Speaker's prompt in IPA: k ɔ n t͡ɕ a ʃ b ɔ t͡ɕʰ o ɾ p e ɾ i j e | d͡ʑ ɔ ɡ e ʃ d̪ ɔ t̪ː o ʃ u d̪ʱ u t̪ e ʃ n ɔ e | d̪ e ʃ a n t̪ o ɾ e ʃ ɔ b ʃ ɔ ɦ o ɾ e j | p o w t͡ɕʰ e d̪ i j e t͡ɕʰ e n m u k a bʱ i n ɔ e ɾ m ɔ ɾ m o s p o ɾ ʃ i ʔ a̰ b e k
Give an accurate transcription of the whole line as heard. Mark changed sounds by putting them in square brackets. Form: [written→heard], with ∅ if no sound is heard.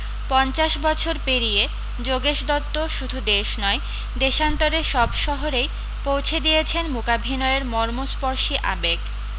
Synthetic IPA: [k→p] ɔ n t͡ɕ a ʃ b ɔ t͡ɕʰ o ɾ p e ɾ i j e | d͡ʑ [ɔ→o] ɡ e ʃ d̪ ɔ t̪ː o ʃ u d̪ʱ u [t̪→d̪] e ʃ n ɔ e | d̪ e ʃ a n t̪ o ɾ e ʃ ɔ b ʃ ɔ ɦ o ɾ e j | p o w t͡ɕʰ e d̪ i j e t͡ɕʰ e n m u k a bʱ i n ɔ e ɾ m ɔ ɾ m o s p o ɾ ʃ i ʔ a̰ b e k

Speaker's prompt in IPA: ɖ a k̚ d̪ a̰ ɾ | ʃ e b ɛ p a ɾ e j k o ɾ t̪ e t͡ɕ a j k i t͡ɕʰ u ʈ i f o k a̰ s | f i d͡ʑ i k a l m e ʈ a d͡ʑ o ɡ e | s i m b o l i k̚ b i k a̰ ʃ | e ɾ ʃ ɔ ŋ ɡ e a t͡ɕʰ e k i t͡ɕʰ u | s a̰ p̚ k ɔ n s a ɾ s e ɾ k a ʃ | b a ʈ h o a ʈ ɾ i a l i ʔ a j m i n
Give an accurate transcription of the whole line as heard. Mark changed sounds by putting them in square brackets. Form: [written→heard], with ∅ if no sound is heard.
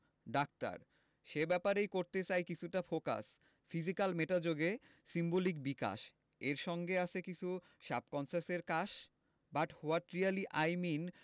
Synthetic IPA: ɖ a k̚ [d̪→t̪] a̰ ɾ | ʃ e b ɛ p a ɾ e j k o ɾ t̪ e t͡ɕ a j k i t͡ɕʰ u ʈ [i→a] f o k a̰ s | f i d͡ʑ i k a l m e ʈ a d͡ʑ o ɡ e | s i m b o l i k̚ b i k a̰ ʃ | e ɾ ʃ ɔ ŋ ɡ e a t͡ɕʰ e k i t͡ɕʰ u | [s→ʃ] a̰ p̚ k ɔ n s a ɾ s e ɾ k a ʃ | b a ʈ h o a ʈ ɾ i a l i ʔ a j m i n

